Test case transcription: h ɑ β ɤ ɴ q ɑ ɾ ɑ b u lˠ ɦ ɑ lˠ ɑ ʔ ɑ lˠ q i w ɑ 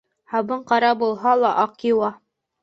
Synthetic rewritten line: h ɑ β ɤ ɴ q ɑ ɾ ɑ b u lˠ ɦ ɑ lˠ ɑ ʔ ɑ q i w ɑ

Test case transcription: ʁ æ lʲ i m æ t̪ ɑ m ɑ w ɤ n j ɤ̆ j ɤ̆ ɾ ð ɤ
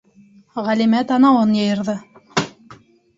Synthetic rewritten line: ʁ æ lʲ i m æ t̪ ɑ n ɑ w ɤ n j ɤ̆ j ɤ̆ ɾ ð ɤ

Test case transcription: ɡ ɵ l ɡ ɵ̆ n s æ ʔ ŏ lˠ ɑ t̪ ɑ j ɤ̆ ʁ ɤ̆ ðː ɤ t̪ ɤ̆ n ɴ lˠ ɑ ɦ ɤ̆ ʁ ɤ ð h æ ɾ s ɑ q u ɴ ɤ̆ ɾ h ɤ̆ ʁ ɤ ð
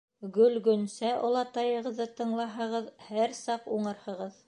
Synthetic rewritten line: ɡ ɵ l ɡ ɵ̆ n s æ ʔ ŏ lˠ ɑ t̪ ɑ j ɤ̆ ʁ ɤ̆ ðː ɤ t̪ ɤ̆ ɴ lˠ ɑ ɦ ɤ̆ ʁ ɤ ð h æ ɾ s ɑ q u ɴ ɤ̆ ɾ h ɤ̆ ʁ ɤ ð

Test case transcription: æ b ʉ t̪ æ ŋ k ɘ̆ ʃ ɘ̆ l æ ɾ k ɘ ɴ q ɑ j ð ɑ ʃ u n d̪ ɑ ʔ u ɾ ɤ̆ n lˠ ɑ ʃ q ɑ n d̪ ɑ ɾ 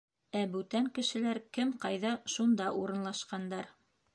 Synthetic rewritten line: æ b ʉ t̪ æ ŋ k ɘ̆ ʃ ɘ̆ l æ ɾ k ɘ m q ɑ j ð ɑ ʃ u n d̪ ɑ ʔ u ɾ ɤ̆ n lˠ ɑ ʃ q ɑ n d̪ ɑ ɾ

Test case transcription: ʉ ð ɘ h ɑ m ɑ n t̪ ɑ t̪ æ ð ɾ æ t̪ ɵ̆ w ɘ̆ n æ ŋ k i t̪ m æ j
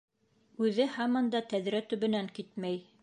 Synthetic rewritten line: ʉ ð ɘ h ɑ m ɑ n d̪ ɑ t̪ æ ð ɾ æ t̪ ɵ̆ β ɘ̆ n æ ŋ k i t̪ m æ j

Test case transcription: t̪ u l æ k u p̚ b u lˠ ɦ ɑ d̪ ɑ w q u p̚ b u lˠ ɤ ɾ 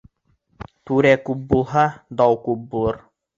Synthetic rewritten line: t̪ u ɾ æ k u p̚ b u lˠ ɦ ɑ d̪ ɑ w k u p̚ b u lˠ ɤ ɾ

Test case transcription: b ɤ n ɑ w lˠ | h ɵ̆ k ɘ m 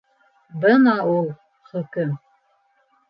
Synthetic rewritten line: b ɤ n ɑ u lˠ | χ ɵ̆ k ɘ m

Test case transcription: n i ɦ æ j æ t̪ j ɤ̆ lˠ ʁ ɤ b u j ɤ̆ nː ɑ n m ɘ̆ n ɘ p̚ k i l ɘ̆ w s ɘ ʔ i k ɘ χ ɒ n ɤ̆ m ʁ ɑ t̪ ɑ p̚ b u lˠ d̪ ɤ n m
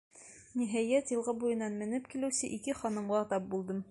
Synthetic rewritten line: n i ɦ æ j æ t̪ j ɤ̆ lˠ ʁ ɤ b u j ɤ̆ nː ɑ n m ɘ̆ n ɘ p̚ k i l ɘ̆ w s ɘ ʔ i k ɘ χ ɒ n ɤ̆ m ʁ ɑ t̪ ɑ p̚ b u lˠ d̪ ɤ m

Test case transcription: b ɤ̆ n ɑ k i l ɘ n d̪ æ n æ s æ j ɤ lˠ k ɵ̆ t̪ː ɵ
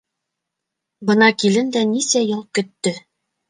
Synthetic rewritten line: b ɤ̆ n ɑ k i l ɘ n d̪ æ n i s æ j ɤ lˠ k ɵ̆ t̪ː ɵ

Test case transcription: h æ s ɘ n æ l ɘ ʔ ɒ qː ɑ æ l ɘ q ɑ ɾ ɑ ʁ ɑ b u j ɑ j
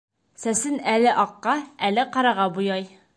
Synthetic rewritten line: s æ s ɘ n æ l ɘ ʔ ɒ qː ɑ æ l ɘ q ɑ ɾ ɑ ʁ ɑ b u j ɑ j

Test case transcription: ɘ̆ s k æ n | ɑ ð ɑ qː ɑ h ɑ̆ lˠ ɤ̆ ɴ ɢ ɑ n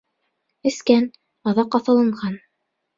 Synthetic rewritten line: ɘ̆ s k æ n | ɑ ð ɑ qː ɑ θ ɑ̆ lˠ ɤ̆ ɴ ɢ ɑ n

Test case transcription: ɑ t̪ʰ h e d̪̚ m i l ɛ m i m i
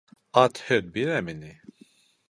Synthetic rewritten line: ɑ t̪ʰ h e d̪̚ b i ɾ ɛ m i n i

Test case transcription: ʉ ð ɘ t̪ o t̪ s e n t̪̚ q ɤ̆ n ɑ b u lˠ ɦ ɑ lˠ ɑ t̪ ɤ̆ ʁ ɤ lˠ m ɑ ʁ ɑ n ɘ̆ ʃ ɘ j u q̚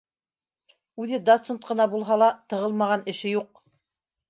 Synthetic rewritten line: ʉ ð ɘ d̪ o t̪ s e n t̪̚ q ɤ̆ n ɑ b u lˠ ɦ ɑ lˠ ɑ t̪ ɤ̆ ʁ ɤ lˠ m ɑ ʁ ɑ n ɘ̆ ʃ ɘ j u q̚

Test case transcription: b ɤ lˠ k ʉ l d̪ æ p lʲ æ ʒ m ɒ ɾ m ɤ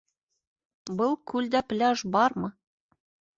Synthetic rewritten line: b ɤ lˠ k ʉ l d̪ æ p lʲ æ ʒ b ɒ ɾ m ɤ

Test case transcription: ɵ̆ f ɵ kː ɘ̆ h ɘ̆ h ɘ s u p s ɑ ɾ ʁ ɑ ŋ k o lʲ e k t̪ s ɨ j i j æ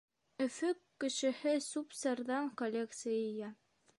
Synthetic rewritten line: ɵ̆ f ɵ kː ɘ̆ ʃ ɘ̆ h ɘ s u p s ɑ ɾ ð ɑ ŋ k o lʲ e k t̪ s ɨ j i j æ

